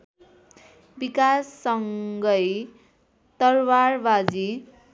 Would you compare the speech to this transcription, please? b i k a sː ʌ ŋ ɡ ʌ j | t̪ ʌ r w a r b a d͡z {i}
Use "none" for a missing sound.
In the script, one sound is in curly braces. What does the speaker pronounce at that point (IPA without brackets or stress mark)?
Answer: i